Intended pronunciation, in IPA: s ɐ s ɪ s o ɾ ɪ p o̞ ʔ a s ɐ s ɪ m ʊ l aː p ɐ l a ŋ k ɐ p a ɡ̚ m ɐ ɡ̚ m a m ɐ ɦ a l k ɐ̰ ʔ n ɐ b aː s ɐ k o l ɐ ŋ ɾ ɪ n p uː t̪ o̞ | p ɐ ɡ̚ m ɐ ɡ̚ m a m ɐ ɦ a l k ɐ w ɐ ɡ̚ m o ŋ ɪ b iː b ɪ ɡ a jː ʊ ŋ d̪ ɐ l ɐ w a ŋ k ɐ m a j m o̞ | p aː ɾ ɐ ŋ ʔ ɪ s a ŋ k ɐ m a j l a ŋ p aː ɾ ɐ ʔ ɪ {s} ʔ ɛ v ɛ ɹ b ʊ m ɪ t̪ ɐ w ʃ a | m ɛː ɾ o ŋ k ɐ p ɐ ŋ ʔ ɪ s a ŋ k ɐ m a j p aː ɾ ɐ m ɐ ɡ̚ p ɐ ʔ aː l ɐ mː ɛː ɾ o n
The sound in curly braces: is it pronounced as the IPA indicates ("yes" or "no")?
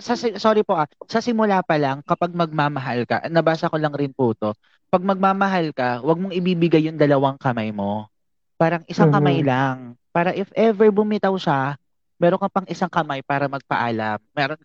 no